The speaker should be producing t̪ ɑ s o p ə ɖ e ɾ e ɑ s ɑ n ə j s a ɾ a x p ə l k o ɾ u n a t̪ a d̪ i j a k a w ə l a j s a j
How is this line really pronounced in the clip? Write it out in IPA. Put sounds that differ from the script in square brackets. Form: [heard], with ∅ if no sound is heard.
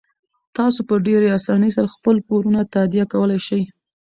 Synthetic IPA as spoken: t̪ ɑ s o p ə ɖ e ɾ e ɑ s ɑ n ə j s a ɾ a x p ə l [p] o ɾ u n a t̪ a d̪ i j a k a w ə l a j [ʃ] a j